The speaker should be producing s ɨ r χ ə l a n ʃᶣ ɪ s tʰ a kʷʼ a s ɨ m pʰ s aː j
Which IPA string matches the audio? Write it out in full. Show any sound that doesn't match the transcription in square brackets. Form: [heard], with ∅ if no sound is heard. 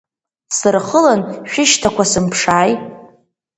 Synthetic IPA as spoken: s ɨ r χ ə l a n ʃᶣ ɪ [ʃ] tʰ a [kʷ] a s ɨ m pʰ [ʂ] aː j